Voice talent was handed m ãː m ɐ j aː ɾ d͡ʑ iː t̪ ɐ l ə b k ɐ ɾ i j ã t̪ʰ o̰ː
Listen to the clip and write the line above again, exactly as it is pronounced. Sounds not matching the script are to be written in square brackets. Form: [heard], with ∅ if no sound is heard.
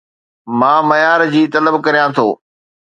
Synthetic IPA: m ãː m ɐ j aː ɾ d͡ʑ iː t̪ ɐ l ə b k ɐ ɾ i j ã t̪ʰ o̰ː